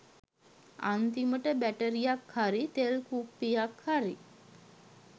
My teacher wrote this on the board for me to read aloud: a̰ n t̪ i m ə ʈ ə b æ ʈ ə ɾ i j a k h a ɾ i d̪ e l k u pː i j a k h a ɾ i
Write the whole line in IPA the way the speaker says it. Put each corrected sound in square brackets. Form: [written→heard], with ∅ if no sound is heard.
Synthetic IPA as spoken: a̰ n t̪ i m ə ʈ ə b æ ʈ ə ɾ i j a k h a ɾ i [d̪→t̪] e l k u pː i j a k h a ɾ i